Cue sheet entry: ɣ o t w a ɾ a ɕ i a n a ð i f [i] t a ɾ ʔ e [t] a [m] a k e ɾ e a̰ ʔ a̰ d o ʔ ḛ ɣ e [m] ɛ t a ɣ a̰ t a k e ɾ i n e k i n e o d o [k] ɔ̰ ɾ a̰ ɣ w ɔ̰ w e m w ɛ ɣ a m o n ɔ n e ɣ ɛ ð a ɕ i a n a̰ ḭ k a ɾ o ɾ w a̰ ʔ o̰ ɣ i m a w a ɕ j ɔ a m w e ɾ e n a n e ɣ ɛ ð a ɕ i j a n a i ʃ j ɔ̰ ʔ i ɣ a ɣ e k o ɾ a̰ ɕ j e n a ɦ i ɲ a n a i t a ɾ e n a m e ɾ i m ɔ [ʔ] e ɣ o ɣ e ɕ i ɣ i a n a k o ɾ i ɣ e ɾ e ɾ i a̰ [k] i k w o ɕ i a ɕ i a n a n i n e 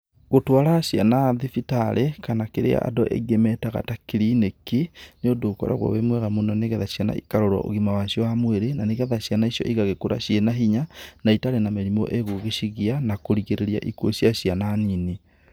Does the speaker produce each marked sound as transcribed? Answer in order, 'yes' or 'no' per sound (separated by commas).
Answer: yes, no, no, yes, yes, yes, no